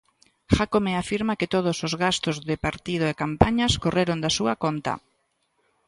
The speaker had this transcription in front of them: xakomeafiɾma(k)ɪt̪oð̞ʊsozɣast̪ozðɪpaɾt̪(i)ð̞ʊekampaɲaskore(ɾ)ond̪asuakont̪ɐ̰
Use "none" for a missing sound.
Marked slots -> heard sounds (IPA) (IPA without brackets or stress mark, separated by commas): k, i, ɾ